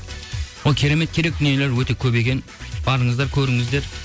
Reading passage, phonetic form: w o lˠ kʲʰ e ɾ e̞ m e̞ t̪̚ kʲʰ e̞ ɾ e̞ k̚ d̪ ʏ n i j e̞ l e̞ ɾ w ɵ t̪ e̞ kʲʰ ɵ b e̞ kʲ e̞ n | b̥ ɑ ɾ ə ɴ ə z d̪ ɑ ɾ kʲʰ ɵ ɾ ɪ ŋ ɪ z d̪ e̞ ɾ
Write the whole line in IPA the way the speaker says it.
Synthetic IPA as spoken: w o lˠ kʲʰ e ɾ e̞ m e̞ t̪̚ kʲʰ e̞ ɾ e̞ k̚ d̪ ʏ n i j e̞ l e̞ ɾ w ɵ t̪ e̞ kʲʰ ɵ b e̞ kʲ e̞ n | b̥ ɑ ɾ ə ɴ ə z d̪ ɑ ɾ kʲʰ ɵ ɾ ɪ ŋ ɪ z d̪ e̞ ɾ